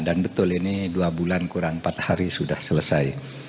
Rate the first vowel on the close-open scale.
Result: open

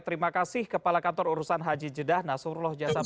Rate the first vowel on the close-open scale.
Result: mid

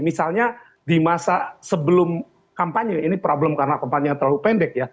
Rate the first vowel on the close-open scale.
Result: close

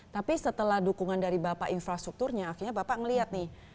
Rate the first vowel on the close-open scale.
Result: open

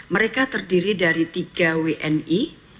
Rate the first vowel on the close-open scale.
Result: mid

